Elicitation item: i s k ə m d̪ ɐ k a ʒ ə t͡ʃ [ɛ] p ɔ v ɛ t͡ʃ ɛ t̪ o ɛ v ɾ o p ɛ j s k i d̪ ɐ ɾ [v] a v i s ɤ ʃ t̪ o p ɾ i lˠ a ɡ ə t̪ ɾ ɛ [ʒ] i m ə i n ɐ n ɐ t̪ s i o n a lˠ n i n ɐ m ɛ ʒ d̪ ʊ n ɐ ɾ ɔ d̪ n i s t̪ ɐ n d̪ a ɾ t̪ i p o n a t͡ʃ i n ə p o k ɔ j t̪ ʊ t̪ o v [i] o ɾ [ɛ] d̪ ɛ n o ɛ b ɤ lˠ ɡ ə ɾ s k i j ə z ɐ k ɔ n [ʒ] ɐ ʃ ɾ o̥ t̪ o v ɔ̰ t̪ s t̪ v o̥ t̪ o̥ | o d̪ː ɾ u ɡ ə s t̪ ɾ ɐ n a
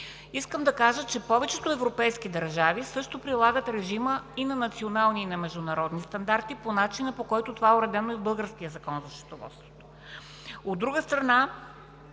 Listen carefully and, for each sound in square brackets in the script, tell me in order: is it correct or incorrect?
correct, incorrect: ʒ, correct, incorrect: a, correct, incorrect: z

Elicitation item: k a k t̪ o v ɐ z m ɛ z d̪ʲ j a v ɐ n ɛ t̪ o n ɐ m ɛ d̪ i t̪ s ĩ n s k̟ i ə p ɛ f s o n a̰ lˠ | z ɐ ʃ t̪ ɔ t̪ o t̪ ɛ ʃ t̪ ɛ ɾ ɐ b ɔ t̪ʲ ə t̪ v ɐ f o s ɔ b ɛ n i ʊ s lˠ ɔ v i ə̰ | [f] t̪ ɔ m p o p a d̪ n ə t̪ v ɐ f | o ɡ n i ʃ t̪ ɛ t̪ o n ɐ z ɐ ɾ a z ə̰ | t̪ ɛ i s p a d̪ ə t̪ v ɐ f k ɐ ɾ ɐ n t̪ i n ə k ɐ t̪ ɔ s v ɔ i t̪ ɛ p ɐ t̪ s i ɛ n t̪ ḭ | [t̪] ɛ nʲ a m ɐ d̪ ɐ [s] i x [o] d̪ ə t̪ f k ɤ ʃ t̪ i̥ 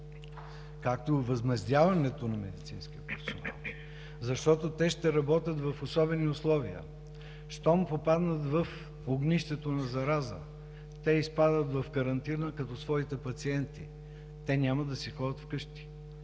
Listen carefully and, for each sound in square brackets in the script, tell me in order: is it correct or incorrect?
incorrect: ʃ, correct, correct, incorrect: ɔ

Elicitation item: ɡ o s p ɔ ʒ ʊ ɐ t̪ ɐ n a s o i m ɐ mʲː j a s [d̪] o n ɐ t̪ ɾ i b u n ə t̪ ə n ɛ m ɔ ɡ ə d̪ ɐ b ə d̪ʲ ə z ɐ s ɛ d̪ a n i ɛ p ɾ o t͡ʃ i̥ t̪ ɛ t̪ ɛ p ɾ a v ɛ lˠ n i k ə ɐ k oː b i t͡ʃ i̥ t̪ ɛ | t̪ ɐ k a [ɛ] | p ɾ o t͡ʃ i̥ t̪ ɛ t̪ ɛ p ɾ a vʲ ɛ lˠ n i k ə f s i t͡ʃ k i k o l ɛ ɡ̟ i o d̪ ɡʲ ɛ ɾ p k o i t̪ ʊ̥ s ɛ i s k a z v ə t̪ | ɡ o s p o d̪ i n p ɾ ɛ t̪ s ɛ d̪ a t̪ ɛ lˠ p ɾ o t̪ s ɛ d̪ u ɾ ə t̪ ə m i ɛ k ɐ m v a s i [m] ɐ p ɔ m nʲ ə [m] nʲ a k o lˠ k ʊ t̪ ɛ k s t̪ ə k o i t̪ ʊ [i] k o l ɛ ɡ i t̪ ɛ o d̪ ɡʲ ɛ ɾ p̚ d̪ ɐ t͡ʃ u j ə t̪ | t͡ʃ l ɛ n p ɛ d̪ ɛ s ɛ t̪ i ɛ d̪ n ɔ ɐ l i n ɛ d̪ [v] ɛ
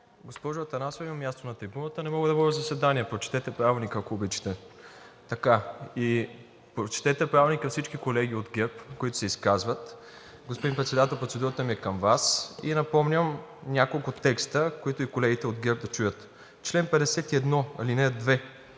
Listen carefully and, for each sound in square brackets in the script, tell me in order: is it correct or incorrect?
incorrect: t̪, incorrect: i, incorrect: n, correct, correct, correct

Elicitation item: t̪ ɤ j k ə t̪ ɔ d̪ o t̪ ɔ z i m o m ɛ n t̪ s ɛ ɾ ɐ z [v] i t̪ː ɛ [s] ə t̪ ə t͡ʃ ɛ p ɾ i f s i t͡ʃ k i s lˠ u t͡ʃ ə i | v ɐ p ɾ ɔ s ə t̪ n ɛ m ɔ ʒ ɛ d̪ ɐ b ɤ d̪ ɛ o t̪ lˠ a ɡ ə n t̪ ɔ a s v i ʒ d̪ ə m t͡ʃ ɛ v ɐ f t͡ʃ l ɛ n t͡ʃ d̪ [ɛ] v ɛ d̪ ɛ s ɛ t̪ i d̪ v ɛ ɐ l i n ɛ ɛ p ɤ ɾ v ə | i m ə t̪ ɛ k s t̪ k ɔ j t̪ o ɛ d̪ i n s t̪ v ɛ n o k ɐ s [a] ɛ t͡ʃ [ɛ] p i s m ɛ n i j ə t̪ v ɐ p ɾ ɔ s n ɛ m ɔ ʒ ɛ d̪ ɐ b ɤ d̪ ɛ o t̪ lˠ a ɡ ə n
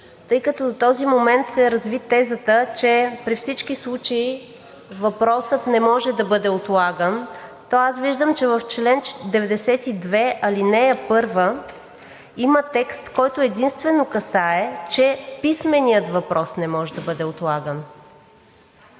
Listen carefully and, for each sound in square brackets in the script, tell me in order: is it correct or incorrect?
correct, incorrect: z, correct, correct, correct

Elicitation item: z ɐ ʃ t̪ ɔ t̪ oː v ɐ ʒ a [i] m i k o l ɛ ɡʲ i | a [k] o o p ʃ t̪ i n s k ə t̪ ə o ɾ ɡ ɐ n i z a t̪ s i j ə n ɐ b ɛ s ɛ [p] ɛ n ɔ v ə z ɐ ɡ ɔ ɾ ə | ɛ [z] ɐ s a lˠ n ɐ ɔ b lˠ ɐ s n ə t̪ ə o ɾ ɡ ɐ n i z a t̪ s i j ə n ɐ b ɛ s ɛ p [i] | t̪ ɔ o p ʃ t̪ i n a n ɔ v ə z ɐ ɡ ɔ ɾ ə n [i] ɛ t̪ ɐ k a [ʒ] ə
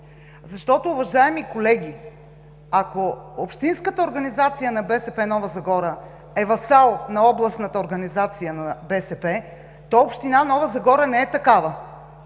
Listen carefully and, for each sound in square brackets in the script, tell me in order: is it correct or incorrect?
incorrect: ɛ, correct, correct, incorrect: v, incorrect: ɛ, incorrect: ɛ, incorrect: v

